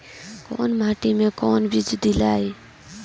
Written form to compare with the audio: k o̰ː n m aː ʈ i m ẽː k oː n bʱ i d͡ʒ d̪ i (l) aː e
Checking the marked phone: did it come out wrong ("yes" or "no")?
no